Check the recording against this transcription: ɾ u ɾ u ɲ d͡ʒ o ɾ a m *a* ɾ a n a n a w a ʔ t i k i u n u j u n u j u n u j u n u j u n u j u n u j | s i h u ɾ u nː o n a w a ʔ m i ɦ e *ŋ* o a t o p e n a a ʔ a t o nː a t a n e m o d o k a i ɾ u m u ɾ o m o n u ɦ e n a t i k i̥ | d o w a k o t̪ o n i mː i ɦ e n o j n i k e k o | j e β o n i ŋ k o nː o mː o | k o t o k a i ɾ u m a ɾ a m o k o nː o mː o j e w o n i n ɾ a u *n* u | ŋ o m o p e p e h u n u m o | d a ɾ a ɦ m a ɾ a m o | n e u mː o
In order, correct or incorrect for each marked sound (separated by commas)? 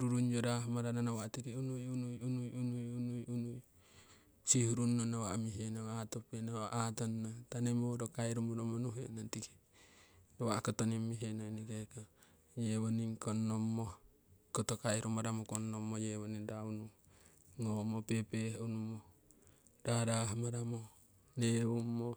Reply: correct, incorrect, correct